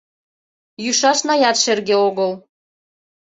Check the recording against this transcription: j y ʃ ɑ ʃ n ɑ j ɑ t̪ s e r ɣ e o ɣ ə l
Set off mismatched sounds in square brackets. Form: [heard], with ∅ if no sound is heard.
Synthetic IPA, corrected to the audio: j y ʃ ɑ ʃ n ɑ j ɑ t̪ [ʃ] e r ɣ e o ɣ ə l